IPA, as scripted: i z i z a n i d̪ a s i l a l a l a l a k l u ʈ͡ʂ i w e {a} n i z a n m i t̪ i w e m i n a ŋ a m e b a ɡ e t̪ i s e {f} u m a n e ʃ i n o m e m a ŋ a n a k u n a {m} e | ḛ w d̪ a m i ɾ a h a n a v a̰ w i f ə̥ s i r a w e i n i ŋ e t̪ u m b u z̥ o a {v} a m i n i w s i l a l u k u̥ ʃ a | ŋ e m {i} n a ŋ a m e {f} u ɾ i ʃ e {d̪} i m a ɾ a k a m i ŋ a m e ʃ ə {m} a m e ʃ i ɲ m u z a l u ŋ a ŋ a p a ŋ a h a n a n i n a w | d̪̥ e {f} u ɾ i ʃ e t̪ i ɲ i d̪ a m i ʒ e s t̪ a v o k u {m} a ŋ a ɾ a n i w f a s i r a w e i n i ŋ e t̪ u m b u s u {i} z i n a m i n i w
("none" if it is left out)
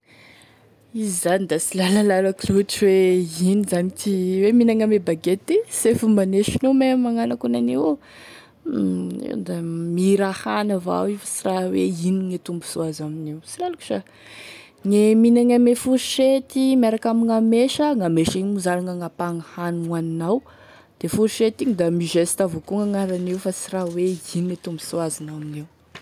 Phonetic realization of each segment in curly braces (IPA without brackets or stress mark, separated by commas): i, f, n, z, i, f, t̪, ŋ, f, ŋ, a